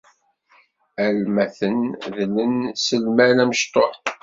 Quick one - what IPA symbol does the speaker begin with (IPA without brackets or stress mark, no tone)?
æ